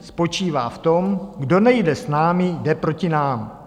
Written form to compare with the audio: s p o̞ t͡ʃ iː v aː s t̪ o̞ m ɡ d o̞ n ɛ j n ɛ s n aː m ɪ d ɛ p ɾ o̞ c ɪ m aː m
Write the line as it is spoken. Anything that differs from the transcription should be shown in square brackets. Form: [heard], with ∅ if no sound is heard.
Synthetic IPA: s p o̞ t͡ʃ iː v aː [f] t̪ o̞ m ɡ d o̞ n ɛ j [d] ɛ s n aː m ɪ d ɛ p ɾ o̞ c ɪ [n] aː m